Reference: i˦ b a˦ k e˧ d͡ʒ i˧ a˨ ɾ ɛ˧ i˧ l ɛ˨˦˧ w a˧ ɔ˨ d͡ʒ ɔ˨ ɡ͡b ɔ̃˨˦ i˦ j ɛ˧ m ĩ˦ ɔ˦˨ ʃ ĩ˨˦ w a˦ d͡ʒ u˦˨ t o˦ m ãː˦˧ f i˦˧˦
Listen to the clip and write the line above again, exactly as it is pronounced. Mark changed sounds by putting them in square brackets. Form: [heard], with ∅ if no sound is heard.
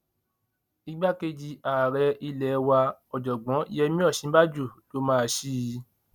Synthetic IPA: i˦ [ɡ͡b] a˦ k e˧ d͡ʒ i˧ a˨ ɾ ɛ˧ i˧ l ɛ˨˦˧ w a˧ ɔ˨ d͡ʒ ɔ˨ ɡ͡b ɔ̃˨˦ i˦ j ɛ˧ m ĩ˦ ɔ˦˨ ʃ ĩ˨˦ [b] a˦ d͡ʒ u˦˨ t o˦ m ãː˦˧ [ʃ] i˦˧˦